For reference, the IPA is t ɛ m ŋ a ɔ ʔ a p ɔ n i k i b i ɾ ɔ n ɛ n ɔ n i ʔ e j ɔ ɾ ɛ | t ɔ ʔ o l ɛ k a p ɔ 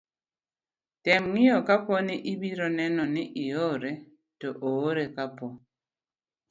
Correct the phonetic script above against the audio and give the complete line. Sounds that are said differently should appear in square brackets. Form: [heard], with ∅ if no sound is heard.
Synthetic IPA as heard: t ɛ m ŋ [i] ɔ [k] a p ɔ n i [ʔ] i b i ɾ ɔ n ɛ n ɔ n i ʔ [i] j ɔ ɾ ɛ | t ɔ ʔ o [ɾ] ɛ k a p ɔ

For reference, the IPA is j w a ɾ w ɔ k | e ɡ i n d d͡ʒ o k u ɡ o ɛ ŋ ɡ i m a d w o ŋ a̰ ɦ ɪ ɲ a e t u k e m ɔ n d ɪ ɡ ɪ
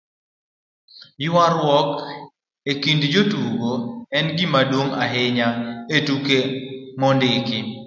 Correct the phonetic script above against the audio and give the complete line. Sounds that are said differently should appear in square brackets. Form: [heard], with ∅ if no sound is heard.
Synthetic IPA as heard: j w a ɾ w ɔ k | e [k] i n d d͡ʒ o [t] u ɡ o ɛ [n] ɡ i m a d w o ŋ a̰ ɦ ɪ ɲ a e t u k e m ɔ n d ɪ [k] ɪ

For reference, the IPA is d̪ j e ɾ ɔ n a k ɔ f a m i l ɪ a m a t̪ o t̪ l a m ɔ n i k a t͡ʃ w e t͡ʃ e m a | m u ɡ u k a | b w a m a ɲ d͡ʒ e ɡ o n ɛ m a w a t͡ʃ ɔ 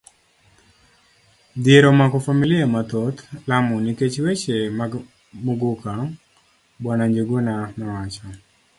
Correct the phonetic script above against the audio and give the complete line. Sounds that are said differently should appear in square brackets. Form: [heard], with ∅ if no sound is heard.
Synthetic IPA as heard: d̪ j e ɾ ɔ [m] a k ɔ f a m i l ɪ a m a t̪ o t̪ l a m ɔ n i k [e] t͡ʃ w e t͡ʃ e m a | m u ɡ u k a | b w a [n] a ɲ d͡ʒ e ɡ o n [a] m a w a t͡ʃ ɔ

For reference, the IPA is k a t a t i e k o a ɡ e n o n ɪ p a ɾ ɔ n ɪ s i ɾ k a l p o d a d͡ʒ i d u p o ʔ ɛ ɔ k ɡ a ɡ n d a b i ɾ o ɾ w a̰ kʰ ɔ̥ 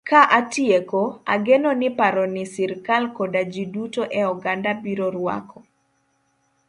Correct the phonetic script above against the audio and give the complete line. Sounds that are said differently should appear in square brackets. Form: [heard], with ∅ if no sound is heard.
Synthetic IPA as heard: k a [ʔ] a t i e k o a ɡ e n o n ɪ p a ɾ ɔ n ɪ s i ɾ k a l [k] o d a d͡ʒ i d u [t] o ʔ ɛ ɔ [∅] ɡ a [∅] n d a b i ɾ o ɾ w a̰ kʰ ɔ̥

